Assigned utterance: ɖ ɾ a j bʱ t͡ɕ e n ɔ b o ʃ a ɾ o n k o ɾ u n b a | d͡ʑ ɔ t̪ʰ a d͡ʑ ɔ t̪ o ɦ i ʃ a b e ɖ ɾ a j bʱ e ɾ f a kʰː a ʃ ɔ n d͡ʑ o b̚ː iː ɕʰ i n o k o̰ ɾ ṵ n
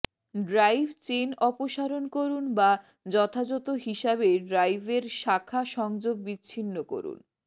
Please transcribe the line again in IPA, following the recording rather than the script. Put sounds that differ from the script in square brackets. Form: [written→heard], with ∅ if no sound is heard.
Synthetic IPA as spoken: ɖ ɾ a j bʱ t͡ɕ e n ɔ [b→p] o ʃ a ɾ o n k o ɾ u n b a | d͡ʑ ɔ t̪ʰ a d͡ʑ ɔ t̪ o ɦ i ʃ a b e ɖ ɾ a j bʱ e ɾ [f→ʃ] a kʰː a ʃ ɔ [n→ŋ] d͡ʑ o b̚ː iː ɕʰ i [n→nː] o k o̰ ɾ ṵ n